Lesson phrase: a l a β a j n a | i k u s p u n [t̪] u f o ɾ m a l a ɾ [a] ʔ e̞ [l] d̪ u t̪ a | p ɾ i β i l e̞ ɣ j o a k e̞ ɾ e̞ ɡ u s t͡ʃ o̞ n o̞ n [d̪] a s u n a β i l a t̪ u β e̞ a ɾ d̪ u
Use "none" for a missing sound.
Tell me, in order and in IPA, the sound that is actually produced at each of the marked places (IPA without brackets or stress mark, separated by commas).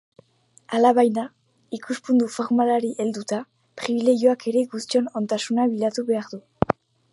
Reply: d̪, i, l, t̪